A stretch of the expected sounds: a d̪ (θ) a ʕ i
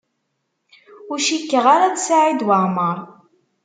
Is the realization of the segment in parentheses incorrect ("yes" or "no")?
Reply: yes